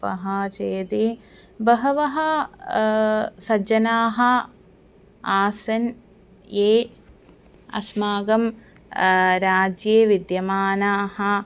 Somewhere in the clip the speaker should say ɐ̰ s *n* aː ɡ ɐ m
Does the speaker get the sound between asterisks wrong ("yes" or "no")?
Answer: yes